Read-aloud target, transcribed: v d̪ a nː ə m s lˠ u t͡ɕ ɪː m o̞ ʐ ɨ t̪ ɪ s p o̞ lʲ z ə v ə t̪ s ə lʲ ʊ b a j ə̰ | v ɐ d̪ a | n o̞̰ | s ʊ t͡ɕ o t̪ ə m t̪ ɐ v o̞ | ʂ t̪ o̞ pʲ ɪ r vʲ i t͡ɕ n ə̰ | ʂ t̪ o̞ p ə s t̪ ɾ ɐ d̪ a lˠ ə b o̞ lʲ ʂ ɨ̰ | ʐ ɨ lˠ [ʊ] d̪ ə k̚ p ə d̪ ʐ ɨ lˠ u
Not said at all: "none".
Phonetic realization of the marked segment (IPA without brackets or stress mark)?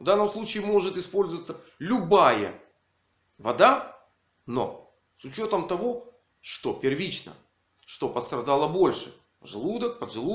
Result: u